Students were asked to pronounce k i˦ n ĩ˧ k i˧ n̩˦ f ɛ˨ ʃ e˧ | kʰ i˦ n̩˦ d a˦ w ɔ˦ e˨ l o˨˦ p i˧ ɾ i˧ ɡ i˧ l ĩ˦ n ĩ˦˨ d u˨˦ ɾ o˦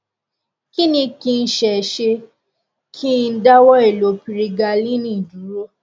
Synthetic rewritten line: k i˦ n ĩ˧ k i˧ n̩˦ ʃ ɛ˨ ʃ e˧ | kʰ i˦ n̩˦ d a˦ w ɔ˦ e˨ l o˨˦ p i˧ ɾ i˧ ɡ a˧ l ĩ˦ n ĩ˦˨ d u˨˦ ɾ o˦